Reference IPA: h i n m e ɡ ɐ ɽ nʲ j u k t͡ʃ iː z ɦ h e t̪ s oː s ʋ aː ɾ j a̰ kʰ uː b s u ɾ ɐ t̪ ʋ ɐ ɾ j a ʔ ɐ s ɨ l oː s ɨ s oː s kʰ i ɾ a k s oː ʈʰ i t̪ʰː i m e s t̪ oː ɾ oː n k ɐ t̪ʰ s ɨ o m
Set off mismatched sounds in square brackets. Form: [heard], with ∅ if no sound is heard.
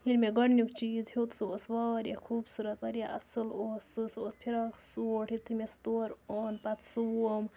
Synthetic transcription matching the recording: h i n m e ɡ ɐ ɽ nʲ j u k t͡ʃ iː z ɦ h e t̪ s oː s ʋ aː ɾ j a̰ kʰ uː b s u ɾ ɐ t̪ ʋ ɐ ɾ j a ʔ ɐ s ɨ l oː s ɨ s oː s [pʰ] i ɾ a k s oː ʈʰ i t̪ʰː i m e s t̪ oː ɾ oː n [p] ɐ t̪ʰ s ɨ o m